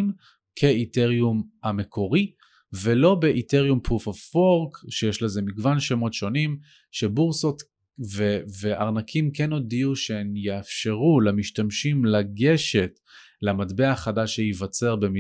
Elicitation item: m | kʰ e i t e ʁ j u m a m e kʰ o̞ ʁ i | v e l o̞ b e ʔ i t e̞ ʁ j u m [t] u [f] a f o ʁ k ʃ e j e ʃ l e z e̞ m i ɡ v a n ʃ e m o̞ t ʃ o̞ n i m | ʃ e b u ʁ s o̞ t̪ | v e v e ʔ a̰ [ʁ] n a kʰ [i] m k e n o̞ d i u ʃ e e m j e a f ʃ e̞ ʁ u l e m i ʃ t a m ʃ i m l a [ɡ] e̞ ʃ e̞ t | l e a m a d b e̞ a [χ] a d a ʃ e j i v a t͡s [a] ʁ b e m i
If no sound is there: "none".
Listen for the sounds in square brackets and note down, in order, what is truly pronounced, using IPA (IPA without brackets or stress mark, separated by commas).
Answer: p, f, ʁ, i, ɡ, χ, e